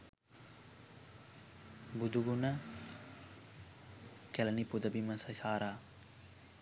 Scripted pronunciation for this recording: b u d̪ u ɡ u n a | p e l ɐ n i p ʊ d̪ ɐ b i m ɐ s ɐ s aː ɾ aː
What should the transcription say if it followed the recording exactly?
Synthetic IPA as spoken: b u d̪ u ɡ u n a | k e l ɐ n i p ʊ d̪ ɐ b i m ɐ s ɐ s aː ɾ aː